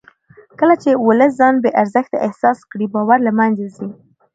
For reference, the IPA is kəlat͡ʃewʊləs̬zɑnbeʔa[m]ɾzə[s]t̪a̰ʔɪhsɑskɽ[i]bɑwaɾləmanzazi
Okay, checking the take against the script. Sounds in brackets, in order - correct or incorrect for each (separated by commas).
incorrect, incorrect, correct